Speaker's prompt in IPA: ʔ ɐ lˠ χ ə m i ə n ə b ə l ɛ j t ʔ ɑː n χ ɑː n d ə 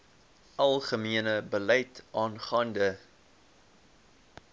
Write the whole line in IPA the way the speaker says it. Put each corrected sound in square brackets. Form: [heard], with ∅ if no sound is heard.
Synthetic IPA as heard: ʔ ɐ lˠ χ ə m i ə n ə b ə l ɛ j t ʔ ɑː n χ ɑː n d ə